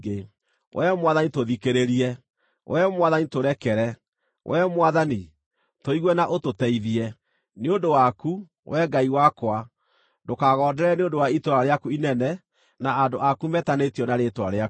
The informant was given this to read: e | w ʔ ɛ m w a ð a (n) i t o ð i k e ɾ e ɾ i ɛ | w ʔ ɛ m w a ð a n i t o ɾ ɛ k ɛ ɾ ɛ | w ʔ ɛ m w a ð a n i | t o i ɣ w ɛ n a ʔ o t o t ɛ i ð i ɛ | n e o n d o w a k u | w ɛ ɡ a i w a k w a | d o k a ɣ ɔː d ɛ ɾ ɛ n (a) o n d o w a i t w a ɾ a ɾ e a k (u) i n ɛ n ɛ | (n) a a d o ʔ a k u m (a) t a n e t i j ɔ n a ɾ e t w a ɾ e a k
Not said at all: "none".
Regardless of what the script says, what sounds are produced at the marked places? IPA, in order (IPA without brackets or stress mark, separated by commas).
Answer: n, e, u, n, ɛ